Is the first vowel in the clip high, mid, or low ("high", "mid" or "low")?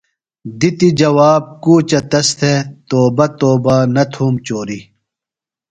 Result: high